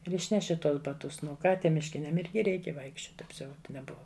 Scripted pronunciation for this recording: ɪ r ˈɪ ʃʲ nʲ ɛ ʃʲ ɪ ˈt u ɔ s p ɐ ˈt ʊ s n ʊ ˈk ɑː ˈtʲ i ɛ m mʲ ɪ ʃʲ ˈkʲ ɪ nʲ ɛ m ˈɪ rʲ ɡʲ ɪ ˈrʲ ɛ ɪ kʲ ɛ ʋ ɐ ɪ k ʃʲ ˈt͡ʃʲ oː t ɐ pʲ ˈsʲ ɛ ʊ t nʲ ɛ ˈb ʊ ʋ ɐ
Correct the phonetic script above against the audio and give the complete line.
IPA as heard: ɪ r ˈɪ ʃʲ nʲ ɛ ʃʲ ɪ ˈt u ɔ s b ɐ ˈt ʊ s n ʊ ˈk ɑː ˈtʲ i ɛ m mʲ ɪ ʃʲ ˈkʲ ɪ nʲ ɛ m ˈɪ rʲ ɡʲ ɪ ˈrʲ ɛ ɪ kʲ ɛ ʋ ɐ ɪ k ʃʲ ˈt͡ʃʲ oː t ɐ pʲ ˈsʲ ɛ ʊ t nʲ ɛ ˈb ʊ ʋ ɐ